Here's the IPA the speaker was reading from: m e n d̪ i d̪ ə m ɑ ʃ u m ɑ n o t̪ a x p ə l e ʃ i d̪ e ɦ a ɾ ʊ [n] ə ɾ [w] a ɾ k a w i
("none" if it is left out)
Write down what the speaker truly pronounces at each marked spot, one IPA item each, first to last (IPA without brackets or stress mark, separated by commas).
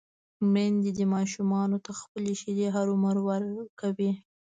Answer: m, w